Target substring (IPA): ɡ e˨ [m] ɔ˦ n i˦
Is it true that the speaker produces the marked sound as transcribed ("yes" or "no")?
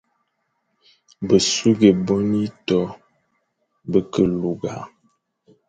no